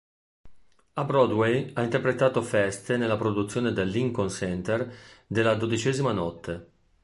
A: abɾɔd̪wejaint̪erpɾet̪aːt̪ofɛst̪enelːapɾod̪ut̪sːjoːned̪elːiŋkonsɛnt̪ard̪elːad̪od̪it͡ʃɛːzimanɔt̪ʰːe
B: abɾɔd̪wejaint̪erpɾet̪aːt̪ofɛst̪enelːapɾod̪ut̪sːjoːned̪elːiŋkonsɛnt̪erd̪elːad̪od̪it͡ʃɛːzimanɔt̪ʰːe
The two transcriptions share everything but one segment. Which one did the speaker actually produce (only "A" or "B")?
B